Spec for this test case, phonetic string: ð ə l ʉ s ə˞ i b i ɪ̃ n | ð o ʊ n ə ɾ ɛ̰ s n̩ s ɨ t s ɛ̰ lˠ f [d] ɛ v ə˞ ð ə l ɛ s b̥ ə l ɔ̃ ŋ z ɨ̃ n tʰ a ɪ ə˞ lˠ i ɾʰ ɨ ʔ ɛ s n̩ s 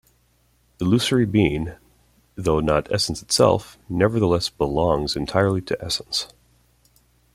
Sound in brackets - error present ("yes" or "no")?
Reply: yes